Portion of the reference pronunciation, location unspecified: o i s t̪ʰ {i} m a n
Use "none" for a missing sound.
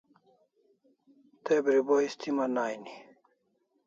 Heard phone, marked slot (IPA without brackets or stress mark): i